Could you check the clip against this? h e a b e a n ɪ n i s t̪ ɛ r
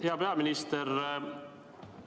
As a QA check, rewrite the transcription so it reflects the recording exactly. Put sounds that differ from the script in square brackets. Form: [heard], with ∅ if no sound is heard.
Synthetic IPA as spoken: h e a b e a [m] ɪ n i s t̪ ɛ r